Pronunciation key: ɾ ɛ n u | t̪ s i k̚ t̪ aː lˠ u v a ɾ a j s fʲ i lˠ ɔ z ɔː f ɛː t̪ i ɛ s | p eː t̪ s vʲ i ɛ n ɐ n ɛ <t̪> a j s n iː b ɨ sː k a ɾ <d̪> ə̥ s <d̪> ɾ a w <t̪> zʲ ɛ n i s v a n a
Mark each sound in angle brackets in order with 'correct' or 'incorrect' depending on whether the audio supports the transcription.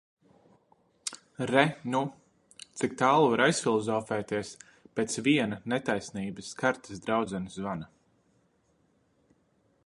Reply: correct, incorrect: t̪, correct, incorrect: d̪

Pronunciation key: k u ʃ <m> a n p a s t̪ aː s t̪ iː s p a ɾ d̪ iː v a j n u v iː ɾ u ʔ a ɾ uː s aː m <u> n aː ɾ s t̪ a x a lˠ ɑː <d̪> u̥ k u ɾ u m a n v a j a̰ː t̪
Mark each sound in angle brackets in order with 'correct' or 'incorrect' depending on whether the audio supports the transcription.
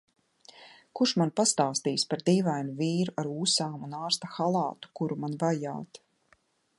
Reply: correct, correct, incorrect: t̪

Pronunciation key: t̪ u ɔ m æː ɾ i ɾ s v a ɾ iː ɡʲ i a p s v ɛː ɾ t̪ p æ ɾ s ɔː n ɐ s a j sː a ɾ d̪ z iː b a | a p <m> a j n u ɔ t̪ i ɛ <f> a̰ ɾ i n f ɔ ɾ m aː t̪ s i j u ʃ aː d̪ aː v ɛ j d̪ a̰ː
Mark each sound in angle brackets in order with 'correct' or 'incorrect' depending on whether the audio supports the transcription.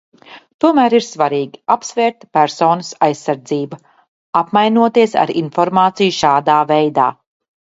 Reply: correct, incorrect: s

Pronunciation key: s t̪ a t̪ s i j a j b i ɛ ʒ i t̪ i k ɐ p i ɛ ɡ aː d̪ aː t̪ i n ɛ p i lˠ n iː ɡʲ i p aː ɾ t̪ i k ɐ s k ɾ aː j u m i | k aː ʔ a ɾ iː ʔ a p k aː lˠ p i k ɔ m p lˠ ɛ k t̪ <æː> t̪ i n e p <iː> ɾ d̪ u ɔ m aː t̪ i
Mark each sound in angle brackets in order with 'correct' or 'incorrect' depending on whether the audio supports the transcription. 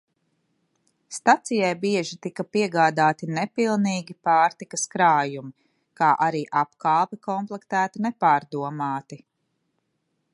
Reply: correct, incorrect: aː

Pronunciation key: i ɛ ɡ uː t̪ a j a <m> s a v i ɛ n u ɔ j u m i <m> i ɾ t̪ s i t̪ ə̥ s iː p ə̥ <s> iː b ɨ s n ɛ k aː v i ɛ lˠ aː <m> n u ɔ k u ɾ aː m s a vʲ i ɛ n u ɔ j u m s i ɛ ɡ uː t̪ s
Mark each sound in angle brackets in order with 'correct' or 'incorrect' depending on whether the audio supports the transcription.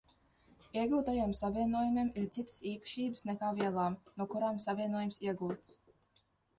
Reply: correct, correct, incorrect: ʃ, correct

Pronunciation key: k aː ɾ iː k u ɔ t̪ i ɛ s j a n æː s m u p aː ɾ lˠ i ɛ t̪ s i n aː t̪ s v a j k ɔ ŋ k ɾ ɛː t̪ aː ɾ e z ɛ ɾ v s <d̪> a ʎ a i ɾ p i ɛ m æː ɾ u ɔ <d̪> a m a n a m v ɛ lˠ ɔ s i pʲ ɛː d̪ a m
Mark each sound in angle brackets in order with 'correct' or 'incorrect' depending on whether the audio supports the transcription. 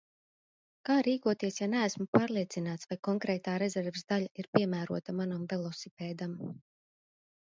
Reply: correct, incorrect: t̪

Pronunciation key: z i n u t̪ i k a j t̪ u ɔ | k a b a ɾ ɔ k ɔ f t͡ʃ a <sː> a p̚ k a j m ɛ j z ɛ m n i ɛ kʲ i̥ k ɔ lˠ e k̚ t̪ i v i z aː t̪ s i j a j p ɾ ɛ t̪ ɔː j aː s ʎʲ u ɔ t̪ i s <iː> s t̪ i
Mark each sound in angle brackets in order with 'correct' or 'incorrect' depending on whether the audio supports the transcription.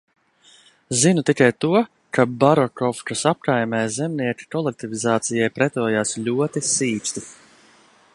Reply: incorrect: s, correct

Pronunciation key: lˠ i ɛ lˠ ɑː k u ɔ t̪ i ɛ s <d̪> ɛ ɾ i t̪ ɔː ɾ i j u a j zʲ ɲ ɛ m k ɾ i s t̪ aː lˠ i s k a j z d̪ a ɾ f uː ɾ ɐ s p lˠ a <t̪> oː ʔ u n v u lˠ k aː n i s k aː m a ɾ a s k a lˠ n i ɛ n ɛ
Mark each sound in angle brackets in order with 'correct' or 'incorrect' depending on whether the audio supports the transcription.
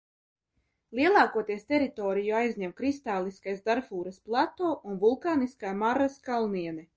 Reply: incorrect: t̪, correct

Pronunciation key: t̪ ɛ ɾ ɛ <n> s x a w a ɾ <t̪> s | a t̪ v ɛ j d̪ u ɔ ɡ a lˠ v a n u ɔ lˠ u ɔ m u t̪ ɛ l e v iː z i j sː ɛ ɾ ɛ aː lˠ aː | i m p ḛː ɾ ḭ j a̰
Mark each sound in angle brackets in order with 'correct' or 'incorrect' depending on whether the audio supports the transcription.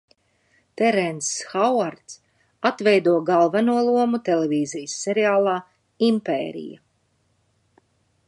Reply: correct, correct

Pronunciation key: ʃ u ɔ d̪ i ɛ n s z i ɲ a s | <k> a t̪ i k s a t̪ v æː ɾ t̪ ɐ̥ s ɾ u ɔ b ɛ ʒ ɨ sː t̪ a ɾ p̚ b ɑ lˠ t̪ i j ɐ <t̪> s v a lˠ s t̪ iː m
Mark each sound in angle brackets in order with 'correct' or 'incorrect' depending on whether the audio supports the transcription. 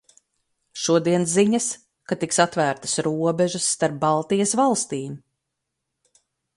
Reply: correct, incorrect: none

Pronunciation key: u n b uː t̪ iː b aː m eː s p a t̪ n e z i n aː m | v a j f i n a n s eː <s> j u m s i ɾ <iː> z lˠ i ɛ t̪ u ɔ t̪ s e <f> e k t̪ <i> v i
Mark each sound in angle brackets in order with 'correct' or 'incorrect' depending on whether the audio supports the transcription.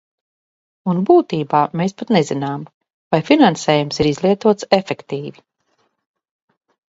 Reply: incorrect: none, incorrect: i, correct, incorrect: iː

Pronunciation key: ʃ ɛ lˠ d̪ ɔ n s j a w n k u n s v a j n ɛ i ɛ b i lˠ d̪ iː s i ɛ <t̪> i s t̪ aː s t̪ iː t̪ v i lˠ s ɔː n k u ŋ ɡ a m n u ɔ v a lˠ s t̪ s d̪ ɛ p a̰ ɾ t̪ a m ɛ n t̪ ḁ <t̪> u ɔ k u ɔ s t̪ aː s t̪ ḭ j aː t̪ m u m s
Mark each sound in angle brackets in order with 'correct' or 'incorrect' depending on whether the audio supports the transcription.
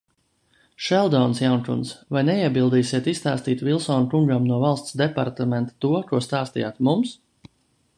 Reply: correct, correct

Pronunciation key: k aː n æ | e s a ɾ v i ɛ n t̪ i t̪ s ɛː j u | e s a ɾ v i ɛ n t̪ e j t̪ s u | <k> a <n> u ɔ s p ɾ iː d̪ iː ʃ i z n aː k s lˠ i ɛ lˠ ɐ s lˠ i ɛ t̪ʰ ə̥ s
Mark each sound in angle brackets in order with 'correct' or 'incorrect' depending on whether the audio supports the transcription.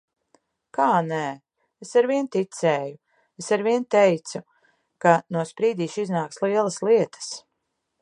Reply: correct, correct

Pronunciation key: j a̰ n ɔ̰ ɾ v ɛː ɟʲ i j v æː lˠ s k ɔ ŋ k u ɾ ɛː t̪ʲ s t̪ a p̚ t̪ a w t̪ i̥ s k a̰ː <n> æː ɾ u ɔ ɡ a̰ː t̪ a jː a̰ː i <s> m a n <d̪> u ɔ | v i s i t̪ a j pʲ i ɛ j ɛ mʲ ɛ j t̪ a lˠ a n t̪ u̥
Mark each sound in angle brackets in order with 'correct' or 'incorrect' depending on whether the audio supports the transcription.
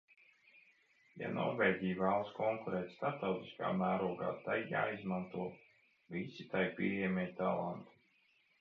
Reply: incorrect: m, incorrect: z, incorrect: t̪

